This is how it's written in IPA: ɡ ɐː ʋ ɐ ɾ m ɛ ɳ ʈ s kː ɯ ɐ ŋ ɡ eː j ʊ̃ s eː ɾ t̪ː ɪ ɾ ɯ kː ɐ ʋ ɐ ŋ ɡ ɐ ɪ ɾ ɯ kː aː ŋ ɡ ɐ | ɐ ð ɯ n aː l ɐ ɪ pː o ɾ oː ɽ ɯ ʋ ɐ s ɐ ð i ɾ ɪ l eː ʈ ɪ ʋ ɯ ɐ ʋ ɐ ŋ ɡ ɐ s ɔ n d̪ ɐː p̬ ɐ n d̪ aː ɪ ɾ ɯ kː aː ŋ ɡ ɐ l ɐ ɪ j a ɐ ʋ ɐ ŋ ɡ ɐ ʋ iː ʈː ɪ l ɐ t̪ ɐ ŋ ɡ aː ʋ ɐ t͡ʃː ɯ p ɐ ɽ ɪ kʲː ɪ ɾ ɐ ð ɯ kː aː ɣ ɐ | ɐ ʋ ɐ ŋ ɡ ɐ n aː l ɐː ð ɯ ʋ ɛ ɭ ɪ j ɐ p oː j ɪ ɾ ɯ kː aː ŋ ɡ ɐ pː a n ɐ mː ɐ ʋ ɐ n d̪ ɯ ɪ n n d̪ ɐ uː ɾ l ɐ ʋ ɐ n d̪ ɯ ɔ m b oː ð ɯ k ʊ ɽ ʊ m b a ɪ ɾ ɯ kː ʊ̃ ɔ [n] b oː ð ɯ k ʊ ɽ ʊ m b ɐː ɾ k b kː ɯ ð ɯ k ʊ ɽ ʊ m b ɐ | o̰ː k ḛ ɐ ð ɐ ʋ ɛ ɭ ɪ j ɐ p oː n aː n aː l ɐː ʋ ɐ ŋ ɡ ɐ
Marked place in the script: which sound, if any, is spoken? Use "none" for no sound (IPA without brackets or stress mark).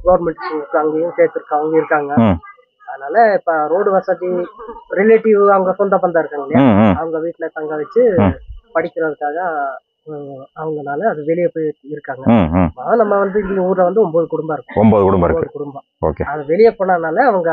m